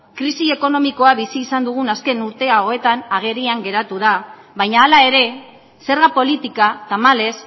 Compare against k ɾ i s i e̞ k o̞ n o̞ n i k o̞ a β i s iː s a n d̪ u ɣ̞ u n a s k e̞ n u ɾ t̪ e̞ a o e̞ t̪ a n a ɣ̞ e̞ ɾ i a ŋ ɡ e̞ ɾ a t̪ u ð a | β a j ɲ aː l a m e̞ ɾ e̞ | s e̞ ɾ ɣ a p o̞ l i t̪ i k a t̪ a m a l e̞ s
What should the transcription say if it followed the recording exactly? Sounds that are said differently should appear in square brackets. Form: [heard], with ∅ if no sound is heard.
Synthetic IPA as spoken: k ɾ i s i e̞ k o̞ n o̞ [m] i k o̞ a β i s iː s a n d̪ u ɣ̞ u n a s k e̞ n u ɾ t̪ e̞ a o e̞ t̪ a n a ɣ̞ e̞ ɾ i a ŋ ɡ e̞ ɾ a t̪ u ð a | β a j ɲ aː l a [∅] e̞ ɾ e̞ | s e̞ ɾ ɣ a p o̞ l i t̪ i k a t̪ a m a l e̞ s